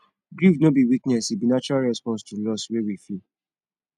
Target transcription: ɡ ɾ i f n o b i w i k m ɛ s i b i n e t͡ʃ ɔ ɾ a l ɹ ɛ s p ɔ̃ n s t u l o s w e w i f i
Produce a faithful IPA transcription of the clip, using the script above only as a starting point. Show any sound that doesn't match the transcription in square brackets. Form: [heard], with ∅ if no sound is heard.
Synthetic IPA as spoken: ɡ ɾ i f n o b i w i k [n] ɛ s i b i n [a] t͡ʃ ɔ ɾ a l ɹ ɛ s p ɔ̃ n s t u l [ɔ] s w e w i f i